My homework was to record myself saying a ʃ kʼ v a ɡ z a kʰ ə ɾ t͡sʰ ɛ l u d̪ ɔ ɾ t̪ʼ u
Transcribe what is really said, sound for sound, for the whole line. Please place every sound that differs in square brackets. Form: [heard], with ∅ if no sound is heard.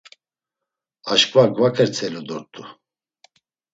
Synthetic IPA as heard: a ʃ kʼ v a ɡ [v] a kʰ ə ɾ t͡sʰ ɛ l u d̪ ɔ ɾ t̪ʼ u